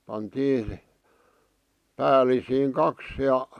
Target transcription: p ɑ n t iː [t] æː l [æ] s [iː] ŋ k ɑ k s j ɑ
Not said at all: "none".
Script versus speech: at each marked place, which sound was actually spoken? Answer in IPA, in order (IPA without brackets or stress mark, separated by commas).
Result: p, i, iː